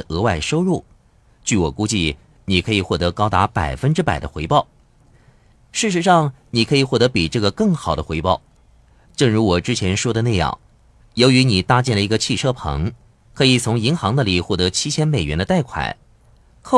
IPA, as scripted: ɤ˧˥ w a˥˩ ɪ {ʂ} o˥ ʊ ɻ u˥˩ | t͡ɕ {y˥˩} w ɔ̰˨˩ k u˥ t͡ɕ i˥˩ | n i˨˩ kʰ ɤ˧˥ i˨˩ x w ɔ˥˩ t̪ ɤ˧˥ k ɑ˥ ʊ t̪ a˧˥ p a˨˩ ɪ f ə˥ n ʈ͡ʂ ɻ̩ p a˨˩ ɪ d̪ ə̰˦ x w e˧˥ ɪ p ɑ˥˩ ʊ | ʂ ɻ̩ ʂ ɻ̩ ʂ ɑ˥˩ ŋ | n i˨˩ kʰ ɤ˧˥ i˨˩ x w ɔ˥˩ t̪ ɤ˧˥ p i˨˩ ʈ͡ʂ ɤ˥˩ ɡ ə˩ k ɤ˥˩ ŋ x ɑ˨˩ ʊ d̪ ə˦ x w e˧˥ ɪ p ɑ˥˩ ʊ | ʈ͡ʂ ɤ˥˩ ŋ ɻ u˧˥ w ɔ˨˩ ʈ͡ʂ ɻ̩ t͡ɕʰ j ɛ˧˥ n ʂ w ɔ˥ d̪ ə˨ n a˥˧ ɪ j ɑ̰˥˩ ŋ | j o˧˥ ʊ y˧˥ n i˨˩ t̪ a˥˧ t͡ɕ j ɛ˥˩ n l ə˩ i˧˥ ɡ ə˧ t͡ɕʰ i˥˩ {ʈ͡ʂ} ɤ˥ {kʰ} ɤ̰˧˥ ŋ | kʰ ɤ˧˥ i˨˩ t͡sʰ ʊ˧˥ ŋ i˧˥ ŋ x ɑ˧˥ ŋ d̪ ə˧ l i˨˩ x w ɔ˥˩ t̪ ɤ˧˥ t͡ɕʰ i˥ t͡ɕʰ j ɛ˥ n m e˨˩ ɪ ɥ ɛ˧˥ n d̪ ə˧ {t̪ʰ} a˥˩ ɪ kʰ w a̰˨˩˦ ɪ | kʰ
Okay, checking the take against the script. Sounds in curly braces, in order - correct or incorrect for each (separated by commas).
correct, correct, incorrect, incorrect, incorrect